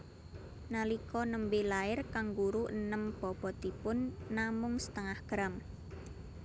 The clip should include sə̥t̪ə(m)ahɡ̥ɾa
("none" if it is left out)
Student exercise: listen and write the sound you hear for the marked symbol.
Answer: ŋ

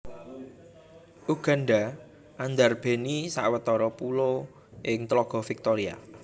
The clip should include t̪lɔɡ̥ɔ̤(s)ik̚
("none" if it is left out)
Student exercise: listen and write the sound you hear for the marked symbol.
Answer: f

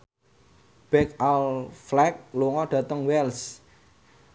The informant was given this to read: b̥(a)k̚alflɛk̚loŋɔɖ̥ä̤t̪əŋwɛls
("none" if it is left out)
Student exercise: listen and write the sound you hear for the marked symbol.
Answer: ɛ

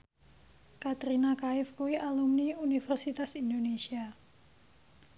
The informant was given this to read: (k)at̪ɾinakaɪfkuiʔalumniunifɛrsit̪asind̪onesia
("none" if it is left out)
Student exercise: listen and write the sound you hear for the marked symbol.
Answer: k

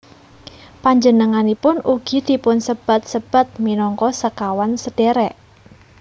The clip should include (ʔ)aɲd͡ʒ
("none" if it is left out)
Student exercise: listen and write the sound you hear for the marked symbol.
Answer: p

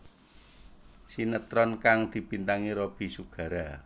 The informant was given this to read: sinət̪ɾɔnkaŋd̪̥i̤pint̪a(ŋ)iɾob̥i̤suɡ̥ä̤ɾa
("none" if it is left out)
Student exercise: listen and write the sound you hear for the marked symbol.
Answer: ŋ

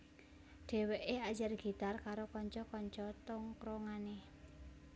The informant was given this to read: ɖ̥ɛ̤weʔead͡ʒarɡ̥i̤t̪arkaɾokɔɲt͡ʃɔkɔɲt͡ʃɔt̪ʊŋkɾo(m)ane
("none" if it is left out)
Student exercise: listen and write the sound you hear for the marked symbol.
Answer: ŋ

